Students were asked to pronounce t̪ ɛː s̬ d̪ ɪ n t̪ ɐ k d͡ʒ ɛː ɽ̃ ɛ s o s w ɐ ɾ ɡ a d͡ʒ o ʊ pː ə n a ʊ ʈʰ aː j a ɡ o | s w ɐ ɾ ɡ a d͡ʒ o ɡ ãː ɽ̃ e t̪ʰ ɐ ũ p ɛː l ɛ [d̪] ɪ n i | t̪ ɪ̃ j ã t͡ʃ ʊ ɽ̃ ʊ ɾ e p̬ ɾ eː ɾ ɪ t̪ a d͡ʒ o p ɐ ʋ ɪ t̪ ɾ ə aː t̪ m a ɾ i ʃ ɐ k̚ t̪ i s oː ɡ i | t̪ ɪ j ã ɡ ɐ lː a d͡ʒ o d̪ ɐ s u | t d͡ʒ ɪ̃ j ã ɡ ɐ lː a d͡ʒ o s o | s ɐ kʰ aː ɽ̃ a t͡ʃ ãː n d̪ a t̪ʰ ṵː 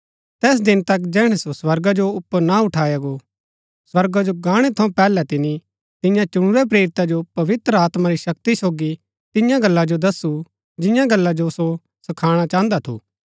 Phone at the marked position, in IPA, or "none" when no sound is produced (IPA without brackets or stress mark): t̪